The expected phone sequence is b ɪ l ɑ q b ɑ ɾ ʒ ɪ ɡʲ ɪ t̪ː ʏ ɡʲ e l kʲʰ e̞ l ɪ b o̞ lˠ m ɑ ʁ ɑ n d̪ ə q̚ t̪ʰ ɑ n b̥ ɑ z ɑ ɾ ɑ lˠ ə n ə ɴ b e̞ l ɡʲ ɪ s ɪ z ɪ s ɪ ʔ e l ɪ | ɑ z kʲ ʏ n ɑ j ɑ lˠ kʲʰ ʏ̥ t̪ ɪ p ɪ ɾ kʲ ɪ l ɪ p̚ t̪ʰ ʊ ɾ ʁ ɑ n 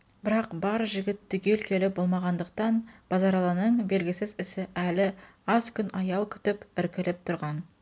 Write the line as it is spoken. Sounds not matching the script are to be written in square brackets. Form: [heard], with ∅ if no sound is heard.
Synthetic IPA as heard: b ɪ [ɾ] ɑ q b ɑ ɾ ʒ ɪ ɡʲ ɪ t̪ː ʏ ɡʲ e l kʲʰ e̞ l ɪ b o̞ lˠ m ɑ ʁ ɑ n d̪ ə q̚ [t̪] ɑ n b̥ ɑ z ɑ ɾ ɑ lˠ [ɑ] n ə ɴ b e̞ l ɡʲ ɪ s ɪ z ɪ s ɪ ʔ [æ] l ɪ | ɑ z kʲ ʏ n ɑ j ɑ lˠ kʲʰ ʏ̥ t̪ ɪ p ɪ ɾ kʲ ɪ l ɪ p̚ t̪ʰ ʊ ɾ ʁ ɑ n